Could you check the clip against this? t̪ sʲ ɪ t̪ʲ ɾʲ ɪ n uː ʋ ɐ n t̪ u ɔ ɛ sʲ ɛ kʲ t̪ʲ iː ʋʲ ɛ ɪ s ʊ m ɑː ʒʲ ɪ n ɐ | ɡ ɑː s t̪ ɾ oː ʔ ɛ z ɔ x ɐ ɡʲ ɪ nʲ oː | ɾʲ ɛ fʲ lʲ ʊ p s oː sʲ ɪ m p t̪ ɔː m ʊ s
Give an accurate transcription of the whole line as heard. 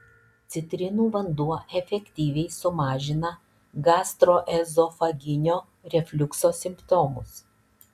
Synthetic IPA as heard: t̪ sʲ ɪ t̪ʲ ɾʲ ɪ n uː ʋ ɐ n d̪ u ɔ ɛ fʲ ɛ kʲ t̪ʲ iː ʋʲ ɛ ɪ s ʊ m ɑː ʒʲ ɪ n ɐ | ɡ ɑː s t̪ ɾ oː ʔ ɛ z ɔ f ɐ ɡʲ ɪ nʲ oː | ɾʲ ɛ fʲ lʲ ʊ k s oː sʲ ɪ m p t̪ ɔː m ʊ s